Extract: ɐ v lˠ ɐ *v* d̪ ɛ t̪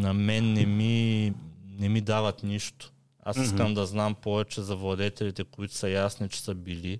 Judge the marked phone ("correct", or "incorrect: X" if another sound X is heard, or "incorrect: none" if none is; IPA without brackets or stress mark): incorrect: none